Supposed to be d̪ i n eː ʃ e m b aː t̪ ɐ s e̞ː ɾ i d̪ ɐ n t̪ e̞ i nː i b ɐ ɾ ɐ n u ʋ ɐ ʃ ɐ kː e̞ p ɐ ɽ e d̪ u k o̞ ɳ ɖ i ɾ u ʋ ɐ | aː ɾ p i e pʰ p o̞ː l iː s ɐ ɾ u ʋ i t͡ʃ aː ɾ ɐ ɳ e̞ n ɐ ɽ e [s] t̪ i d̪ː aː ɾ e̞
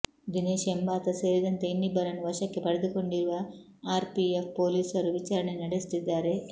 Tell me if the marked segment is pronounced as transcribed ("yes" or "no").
yes